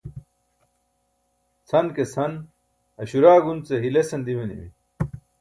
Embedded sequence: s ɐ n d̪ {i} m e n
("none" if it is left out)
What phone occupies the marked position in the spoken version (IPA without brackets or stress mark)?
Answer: i